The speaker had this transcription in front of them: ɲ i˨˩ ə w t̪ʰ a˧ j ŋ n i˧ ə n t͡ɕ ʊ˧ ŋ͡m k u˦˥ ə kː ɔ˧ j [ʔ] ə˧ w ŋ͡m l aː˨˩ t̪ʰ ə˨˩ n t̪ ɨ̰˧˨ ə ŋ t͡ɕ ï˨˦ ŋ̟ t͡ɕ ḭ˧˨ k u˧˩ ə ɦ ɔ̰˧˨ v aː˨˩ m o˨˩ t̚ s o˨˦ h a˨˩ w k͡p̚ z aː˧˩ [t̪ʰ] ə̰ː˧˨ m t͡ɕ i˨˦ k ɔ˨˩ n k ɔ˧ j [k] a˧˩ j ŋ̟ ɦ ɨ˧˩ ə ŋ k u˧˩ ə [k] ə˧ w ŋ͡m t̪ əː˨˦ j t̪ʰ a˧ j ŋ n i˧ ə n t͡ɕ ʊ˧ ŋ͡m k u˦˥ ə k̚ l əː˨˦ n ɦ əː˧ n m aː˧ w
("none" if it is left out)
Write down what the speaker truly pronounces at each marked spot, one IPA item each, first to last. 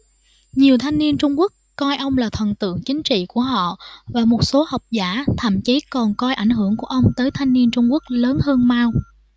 ʔ, t̪ʰ, ʔ, ʔ

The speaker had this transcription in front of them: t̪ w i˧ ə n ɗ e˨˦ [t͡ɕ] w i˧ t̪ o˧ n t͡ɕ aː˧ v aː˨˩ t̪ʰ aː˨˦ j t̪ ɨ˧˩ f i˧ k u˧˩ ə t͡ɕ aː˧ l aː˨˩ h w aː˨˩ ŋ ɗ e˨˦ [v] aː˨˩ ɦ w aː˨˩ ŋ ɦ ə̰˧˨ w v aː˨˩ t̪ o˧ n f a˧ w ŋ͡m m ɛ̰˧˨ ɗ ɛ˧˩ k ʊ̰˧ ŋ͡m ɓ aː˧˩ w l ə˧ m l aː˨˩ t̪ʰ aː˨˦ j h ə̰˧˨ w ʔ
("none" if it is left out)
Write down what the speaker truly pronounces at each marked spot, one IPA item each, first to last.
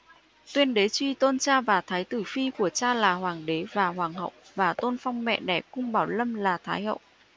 t͡ɕ, v

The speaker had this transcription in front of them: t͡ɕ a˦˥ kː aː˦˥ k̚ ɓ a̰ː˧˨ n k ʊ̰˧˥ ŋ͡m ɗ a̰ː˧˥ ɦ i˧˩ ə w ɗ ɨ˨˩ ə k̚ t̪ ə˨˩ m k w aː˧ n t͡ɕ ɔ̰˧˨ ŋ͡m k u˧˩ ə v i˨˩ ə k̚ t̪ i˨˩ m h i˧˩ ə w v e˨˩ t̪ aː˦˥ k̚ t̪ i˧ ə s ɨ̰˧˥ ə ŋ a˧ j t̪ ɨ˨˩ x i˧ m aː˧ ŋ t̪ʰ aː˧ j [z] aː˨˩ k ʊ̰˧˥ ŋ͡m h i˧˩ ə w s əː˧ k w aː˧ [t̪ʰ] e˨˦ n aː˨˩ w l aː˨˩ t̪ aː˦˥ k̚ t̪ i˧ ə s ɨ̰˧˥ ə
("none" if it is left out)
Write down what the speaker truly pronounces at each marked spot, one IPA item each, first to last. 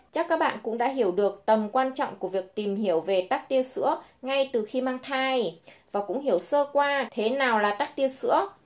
v, t̪ʰ

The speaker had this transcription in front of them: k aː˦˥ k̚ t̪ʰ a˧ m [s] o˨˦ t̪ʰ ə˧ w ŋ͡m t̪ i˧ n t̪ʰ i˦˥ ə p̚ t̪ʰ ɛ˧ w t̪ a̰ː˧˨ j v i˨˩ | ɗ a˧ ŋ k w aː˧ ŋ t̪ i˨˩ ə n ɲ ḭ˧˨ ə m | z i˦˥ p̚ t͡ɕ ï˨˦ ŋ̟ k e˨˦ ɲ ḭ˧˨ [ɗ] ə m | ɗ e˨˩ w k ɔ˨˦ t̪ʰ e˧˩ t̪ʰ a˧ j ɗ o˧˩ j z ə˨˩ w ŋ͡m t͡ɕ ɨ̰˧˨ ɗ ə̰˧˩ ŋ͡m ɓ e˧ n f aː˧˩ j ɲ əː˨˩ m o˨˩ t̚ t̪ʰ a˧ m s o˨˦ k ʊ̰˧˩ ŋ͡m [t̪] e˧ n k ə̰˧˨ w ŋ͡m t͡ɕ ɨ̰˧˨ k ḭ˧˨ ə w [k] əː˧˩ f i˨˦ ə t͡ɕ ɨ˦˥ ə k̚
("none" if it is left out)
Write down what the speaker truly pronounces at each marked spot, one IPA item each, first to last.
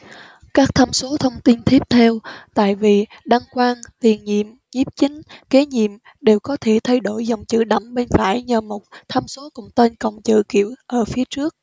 s, none, t̪, ʔ

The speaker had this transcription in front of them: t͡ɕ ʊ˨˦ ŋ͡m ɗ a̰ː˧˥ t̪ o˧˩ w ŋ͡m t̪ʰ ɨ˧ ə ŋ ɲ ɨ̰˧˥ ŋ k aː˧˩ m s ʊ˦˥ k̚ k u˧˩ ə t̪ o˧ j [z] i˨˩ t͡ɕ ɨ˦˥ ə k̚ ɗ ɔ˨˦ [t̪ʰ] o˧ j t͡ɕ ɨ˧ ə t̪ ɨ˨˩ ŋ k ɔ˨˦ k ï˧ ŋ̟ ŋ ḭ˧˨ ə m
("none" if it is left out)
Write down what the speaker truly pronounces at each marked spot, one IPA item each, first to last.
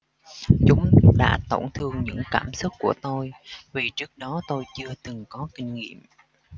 v, t̪

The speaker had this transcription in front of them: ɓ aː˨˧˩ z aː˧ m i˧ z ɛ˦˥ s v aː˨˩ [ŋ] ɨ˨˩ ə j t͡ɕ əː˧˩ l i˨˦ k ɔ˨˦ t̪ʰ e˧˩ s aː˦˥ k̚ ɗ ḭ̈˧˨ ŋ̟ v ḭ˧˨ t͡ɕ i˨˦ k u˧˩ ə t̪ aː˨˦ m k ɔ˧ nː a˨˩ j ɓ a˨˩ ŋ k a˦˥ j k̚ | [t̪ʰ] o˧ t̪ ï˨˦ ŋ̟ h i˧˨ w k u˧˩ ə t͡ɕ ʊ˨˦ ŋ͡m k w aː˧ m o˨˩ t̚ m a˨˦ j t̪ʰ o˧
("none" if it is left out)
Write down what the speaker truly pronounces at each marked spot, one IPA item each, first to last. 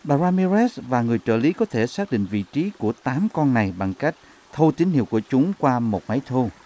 ŋ, t̪ʰ

